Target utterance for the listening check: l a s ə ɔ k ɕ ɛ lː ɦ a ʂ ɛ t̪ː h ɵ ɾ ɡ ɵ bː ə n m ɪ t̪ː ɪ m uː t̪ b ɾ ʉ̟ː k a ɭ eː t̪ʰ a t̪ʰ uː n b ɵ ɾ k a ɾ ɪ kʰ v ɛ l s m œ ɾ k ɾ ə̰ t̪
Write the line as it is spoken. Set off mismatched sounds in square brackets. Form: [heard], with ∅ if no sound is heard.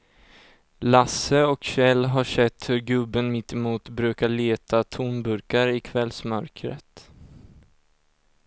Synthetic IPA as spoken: l a s ə ɔ k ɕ ɛ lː ɦ a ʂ ɛ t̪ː h ɵ ɾ ɡ ɵ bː ə n m ɪ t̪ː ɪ m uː t̪ b ɾ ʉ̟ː k a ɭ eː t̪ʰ a t̪ʰ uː n b ɵ ɾ k a ɾ ɪ kʰ v ɛ l s m œ ɾ k ɾ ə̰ t̪